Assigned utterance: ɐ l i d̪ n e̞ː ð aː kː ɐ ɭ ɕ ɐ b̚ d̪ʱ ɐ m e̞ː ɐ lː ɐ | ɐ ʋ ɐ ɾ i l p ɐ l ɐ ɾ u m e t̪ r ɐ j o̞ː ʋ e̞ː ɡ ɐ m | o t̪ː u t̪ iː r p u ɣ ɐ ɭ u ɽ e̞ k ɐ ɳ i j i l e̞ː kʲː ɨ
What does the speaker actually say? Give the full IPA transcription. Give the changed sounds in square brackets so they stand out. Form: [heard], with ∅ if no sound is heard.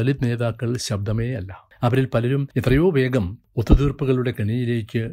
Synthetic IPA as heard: ɐ l i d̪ n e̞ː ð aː kː ɐ ɭ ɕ ɐ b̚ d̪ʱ ɐ m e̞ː ɐ lː ɐ | ɐ ʋ ɐ ɾ i l p ɐ l ɐ ɾ u m e t̪ r ɐ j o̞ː ʋ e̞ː ɡ ɐ m | o t̪ː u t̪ iː r p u ɣ ɐ ɭ u ɽ e̞ k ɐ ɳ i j i l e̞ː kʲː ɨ